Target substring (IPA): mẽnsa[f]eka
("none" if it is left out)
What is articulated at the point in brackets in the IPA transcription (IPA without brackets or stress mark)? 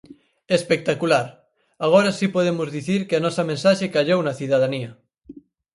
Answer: ʃ